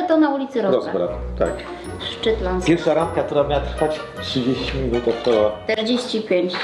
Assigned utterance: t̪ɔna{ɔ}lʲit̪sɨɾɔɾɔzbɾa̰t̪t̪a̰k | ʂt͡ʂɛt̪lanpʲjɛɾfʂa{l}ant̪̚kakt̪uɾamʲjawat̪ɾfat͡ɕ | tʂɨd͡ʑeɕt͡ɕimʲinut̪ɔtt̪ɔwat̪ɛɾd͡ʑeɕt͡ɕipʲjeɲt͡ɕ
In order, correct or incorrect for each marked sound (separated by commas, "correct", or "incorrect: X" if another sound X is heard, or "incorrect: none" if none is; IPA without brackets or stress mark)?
incorrect: u, incorrect: ɾ